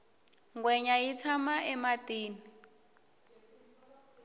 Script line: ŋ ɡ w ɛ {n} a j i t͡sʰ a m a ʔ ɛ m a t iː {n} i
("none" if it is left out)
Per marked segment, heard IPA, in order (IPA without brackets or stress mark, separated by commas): ɲ, n